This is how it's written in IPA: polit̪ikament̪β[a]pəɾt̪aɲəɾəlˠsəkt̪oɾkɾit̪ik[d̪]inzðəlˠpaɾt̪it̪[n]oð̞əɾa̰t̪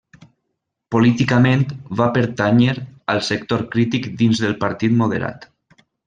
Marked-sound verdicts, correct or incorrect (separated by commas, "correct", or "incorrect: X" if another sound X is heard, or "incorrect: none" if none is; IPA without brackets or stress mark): correct, correct, incorrect: m